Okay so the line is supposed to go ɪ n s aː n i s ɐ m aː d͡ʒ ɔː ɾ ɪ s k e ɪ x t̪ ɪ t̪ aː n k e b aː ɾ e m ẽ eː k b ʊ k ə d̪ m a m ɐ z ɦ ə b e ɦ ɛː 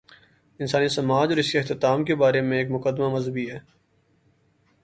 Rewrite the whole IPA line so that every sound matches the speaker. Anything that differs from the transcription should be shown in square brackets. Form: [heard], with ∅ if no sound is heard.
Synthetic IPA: ɪ n s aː n i s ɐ m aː d͡ʒ ɔː ɾ ɪ s k e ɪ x t̪ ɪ t̪ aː [m] k e b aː ɾ e m ẽ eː k [m] ʊ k ə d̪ m a m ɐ z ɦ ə b [i] ɦ ɛː